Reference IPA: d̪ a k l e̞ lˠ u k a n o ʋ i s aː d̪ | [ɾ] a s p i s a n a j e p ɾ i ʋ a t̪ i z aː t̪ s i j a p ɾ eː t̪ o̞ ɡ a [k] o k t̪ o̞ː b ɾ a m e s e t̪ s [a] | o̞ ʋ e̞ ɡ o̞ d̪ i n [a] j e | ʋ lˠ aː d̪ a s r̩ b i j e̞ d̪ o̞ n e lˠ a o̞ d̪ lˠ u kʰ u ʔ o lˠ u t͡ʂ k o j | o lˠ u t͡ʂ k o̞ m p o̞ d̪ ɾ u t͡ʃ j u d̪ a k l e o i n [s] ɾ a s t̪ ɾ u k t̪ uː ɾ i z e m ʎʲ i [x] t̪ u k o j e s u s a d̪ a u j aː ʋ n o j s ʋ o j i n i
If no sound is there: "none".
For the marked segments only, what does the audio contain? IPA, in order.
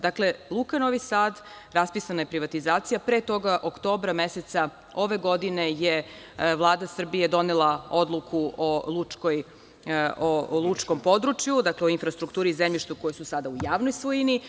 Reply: ɾ, ʔ, a, e, f, ʃ

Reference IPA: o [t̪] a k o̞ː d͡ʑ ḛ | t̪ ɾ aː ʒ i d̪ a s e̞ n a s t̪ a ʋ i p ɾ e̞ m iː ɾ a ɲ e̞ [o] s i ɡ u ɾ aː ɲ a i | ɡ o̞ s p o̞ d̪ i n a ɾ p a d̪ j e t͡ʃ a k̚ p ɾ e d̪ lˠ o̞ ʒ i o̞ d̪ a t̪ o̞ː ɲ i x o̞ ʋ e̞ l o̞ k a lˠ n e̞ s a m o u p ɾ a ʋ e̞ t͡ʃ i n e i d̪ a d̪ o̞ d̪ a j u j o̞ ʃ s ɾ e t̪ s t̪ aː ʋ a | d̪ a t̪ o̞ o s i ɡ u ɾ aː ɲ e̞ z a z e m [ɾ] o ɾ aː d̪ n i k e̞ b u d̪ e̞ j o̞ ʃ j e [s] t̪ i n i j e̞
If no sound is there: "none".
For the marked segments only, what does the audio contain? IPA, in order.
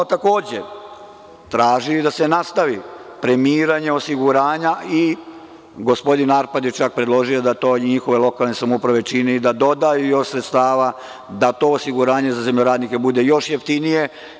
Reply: t̪, o, ʎ, f

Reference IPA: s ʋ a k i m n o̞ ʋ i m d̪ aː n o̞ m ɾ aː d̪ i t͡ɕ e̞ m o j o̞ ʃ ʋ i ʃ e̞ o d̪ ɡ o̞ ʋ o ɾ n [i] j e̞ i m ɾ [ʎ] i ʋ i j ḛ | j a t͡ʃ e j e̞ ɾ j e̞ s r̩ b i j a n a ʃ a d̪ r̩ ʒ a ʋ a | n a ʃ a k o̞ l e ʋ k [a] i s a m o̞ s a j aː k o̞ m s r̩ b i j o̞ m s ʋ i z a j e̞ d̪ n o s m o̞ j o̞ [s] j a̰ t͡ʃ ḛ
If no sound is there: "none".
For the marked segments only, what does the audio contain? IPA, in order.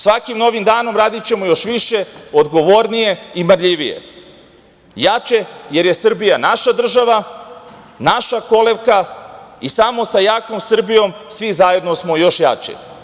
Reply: i, ʎ, a, ʃ

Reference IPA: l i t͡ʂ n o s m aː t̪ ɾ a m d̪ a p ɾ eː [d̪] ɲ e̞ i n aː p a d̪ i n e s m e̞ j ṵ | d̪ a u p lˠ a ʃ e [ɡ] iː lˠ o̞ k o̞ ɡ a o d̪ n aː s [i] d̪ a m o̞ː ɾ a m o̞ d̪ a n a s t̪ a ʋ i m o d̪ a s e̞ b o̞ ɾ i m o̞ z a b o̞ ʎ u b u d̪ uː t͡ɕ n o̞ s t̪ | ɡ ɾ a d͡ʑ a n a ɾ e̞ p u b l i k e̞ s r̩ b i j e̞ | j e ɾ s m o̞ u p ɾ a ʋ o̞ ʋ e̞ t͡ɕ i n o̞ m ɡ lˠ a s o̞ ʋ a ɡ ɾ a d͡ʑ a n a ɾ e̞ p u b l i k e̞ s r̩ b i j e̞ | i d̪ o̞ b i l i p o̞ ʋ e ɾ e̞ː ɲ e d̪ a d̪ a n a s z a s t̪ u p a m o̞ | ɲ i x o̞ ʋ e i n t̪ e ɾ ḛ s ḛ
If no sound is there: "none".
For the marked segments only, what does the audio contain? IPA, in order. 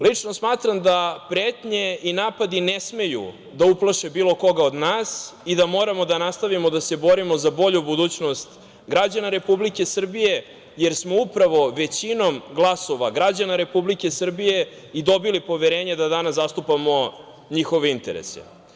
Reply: t̪, b, i

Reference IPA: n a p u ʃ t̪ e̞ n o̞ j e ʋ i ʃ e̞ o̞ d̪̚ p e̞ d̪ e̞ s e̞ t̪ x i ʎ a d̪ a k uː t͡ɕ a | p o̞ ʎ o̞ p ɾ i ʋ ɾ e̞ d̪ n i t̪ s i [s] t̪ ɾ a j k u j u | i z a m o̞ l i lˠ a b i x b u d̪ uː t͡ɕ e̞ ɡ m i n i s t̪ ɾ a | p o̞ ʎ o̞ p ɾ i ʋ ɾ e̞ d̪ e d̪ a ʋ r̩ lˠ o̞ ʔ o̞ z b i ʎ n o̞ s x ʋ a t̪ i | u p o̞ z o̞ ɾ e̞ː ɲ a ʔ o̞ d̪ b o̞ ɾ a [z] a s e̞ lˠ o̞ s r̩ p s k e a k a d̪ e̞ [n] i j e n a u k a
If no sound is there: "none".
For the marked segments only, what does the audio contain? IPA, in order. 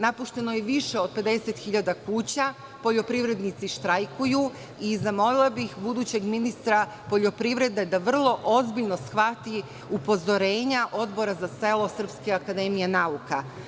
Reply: ʃ, z, m

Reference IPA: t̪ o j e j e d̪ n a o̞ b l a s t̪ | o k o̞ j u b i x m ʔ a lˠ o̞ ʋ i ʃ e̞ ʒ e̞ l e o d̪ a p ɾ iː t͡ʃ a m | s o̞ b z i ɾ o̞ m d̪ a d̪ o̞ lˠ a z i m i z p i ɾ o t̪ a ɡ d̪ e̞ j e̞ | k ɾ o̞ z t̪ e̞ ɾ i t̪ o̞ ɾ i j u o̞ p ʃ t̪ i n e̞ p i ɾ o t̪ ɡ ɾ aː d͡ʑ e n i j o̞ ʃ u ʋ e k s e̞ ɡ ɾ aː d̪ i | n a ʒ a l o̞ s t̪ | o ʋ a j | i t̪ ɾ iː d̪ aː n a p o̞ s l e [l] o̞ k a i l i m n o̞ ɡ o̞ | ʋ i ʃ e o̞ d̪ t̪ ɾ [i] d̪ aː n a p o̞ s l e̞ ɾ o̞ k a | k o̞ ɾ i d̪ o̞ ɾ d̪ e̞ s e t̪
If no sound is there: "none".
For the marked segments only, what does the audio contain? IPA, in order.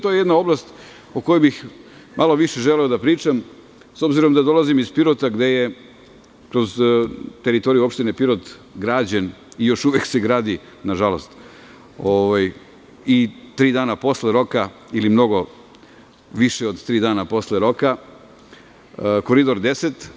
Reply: ɾ, iː

